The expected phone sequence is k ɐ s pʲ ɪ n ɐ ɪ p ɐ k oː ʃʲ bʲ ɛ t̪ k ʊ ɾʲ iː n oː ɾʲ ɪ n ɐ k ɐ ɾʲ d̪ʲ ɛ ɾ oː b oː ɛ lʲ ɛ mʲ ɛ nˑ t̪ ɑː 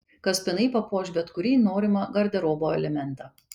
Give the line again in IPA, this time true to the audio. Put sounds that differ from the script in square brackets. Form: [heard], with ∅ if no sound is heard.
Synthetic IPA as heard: k ɐ s pʲ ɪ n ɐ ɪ p ɐ [p] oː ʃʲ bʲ ɛ t̪ k ʊ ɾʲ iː n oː ɾʲ ɪ [m] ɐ [ɡ] ɐ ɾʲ d̪ʲ ɛ ɾ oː b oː ɛ lʲ ɛ mʲ ɛ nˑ t̪ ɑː